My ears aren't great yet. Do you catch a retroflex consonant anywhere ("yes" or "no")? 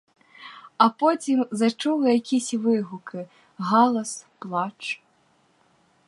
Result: yes